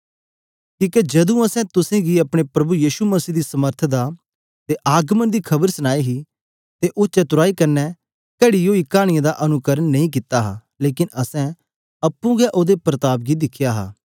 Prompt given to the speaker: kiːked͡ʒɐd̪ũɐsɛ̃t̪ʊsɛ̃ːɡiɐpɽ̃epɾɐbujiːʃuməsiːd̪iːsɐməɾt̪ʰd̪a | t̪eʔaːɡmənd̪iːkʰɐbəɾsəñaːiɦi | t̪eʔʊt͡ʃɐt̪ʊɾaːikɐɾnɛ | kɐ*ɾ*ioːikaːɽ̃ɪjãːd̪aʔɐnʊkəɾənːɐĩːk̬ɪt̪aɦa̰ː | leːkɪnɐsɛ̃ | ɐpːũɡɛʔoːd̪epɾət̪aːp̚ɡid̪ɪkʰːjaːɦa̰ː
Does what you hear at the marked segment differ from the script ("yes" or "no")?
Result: yes